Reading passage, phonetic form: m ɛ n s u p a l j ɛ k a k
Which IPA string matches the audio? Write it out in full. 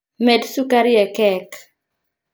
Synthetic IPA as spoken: m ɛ d s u k a ɾ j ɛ k ɛ k